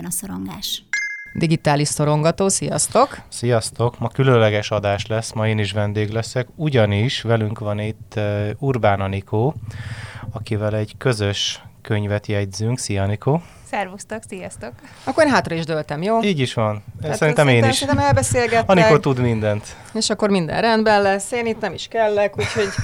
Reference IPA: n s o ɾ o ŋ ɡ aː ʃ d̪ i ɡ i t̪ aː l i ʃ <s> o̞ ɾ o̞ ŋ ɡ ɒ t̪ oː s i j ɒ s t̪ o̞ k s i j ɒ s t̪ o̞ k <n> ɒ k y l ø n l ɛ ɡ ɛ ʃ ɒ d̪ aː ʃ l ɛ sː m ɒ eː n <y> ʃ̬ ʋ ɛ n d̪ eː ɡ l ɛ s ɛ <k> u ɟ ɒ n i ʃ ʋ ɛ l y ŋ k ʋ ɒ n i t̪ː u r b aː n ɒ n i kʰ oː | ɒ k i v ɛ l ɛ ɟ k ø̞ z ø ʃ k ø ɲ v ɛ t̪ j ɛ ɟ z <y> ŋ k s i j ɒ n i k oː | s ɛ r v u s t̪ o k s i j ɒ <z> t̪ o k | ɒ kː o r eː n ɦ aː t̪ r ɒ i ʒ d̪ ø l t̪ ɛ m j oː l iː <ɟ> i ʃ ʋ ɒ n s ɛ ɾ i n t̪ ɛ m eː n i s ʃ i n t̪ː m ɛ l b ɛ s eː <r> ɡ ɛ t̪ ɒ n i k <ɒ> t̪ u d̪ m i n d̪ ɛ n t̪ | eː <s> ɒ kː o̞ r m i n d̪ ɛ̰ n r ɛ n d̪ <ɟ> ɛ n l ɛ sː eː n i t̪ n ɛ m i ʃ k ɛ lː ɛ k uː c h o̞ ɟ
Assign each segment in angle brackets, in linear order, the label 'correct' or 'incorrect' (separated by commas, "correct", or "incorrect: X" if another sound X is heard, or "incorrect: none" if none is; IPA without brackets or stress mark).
correct, incorrect: m, incorrect: i, correct, correct, incorrect: s, correct, incorrect: l, incorrect: o, incorrect: ʃ, incorrect: b